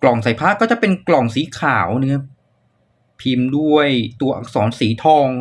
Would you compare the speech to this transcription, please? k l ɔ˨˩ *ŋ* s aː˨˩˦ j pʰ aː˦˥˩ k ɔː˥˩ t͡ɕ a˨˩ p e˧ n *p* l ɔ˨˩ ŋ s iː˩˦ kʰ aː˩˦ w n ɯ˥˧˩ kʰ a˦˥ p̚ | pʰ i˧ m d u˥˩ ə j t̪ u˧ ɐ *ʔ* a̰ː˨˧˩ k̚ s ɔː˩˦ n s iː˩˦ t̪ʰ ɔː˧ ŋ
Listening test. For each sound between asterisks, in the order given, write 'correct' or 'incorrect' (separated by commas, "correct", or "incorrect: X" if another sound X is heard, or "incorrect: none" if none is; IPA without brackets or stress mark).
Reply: correct, incorrect: k, correct